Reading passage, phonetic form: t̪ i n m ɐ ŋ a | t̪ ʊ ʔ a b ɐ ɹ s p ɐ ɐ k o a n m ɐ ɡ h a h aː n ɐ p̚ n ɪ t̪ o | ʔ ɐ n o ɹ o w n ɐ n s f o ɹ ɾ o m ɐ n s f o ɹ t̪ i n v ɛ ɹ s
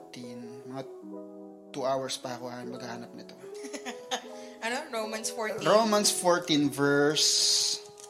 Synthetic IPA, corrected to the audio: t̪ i n m ɐ ŋ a | t̪ u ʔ a w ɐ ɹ s p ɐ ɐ k o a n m ɐ ɡ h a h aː n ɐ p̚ n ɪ t̪ o | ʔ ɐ n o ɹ o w m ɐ n s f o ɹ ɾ o m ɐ n s f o ɹ t̪ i n v ɛ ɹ s